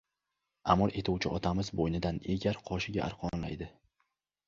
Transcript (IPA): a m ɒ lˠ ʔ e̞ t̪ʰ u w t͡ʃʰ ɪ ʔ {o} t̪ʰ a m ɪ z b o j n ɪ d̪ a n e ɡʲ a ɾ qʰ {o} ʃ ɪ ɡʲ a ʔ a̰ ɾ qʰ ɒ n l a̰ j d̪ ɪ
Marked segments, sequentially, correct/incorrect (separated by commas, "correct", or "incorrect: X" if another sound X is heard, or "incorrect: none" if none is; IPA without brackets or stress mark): incorrect: ɒ, incorrect: ɒ